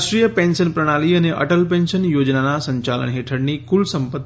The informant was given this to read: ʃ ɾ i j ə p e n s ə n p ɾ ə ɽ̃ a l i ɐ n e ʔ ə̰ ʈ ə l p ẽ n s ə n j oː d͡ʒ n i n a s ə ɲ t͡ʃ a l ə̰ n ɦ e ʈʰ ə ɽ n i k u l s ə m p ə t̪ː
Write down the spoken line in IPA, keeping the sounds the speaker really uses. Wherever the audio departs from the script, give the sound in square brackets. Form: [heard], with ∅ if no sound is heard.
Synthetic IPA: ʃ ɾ i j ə p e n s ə n p ɾ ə ɽ̃ a l i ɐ n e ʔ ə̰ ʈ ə l p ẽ n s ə n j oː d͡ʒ n [a] n a s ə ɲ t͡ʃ a l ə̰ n ɦ e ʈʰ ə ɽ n i k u l s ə m p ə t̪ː